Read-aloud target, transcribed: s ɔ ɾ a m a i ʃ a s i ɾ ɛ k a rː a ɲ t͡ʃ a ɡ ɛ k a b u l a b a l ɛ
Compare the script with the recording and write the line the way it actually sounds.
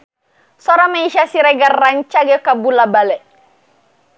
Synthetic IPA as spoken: s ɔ ɾ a m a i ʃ a s i ɾ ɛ ɡ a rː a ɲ t͡ʃ a ɡ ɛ k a b u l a b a l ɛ